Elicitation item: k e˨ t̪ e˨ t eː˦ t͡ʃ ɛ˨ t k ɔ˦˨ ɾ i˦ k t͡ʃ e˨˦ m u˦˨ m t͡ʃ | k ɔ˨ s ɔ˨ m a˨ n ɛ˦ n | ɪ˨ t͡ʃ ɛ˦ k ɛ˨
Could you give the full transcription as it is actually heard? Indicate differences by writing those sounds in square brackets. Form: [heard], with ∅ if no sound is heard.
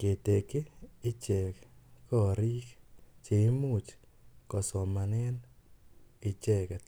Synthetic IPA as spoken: k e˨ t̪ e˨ [k] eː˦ t͡ʃ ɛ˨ [k] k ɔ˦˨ ɾ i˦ k t͡ʃ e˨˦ m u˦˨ [∅] t͡ʃ | k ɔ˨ s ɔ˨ m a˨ n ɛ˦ n | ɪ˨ t͡ʃ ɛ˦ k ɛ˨